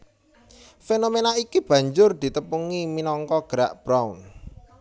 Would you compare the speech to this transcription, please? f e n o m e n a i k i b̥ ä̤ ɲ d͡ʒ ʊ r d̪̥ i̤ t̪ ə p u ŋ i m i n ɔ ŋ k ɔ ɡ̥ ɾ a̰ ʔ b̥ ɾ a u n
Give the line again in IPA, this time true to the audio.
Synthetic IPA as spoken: f e n o m e n a i k i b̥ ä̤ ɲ d͡ʒ ʊ r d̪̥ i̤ t̪ ə p u ŋ i m i n ɔ ŋ k ɔ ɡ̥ ɾ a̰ ʔ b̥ ɾ a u n